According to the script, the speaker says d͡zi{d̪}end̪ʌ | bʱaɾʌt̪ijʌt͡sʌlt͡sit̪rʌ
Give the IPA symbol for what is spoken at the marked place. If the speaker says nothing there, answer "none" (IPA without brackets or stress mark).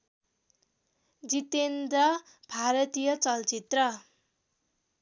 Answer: t̪